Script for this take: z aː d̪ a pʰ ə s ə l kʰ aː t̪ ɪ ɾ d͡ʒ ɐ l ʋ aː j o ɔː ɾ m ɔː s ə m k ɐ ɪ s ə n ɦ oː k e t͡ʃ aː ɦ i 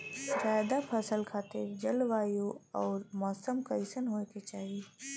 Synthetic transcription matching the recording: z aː d̪ a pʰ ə s ə l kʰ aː t̪ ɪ ɾ d͡ʒ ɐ l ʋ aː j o ɔː ɾ m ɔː s ə m k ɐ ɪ s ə n ɦ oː k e t͡ʃ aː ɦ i